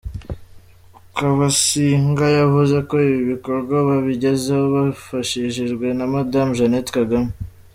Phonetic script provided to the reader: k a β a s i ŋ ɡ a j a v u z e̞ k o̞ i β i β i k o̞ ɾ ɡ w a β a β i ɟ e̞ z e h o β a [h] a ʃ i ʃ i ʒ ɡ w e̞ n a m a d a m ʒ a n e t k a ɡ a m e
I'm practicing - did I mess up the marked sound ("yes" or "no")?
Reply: yes